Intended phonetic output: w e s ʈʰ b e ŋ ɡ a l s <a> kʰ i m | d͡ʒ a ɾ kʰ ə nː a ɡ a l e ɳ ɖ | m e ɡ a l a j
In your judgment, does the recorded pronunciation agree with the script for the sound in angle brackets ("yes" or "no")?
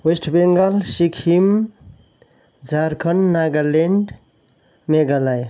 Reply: no